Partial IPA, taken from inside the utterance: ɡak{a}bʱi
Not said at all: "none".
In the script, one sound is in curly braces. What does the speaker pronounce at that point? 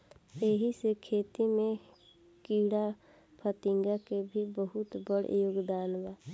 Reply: e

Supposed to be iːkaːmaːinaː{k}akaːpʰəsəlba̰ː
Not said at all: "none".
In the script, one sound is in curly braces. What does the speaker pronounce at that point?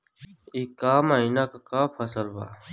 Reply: k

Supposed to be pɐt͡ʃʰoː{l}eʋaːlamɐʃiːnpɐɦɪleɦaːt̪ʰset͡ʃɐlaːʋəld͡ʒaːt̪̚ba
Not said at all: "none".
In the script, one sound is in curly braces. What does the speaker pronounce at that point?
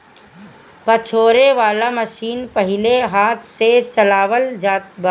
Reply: ɾ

